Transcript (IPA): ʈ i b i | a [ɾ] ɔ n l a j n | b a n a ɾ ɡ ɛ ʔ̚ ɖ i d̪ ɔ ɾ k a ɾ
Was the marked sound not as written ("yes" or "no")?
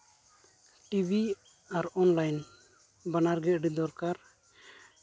no